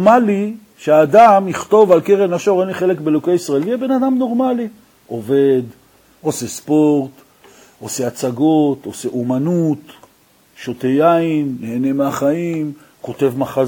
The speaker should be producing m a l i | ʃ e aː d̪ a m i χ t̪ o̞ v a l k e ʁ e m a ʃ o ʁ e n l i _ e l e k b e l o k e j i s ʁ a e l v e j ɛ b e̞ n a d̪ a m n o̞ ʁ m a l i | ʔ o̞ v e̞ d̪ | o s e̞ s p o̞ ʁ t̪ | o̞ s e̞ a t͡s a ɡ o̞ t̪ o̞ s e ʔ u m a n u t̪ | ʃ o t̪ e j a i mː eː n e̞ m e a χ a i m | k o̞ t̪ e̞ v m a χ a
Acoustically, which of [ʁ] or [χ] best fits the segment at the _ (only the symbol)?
χ